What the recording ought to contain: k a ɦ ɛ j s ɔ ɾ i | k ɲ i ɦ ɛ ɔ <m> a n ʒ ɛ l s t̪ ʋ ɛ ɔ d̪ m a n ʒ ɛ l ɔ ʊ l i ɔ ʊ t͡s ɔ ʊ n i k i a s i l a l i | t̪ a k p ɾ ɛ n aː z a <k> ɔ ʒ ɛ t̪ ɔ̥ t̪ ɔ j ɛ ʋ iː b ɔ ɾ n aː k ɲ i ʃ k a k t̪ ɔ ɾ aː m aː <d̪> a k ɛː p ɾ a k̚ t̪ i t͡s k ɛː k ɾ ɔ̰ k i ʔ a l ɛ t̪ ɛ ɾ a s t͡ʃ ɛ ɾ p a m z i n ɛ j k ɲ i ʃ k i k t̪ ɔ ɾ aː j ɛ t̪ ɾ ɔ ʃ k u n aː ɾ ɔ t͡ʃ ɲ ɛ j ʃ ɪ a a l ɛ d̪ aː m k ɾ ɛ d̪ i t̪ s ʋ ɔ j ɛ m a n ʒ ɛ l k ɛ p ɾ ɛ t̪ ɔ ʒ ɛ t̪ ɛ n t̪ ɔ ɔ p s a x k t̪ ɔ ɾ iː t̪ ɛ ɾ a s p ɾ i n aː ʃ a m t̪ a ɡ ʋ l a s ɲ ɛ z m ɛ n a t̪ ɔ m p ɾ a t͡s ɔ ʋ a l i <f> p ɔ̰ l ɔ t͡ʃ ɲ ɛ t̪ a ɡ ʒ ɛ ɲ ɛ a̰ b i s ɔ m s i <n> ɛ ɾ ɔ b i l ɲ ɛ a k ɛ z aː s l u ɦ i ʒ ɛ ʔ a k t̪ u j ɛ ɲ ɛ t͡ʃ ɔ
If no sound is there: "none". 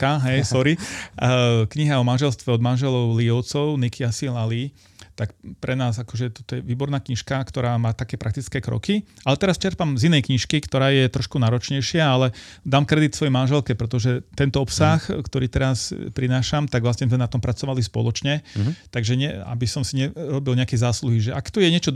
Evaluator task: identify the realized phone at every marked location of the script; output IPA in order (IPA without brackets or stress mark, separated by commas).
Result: m, k, t̪, s, ɲ